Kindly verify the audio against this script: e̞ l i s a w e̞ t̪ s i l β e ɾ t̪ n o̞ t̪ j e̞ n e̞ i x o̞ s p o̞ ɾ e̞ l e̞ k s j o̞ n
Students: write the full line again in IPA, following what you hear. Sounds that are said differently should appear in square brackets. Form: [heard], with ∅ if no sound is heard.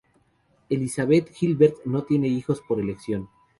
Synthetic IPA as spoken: e̞ l i s a [β] e̞ t̪ [x] i l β e ɾ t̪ n o̞ t̪ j e̞ n e̞ i x o̞ s p o̞ ɾ e̞ l e̞ k s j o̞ n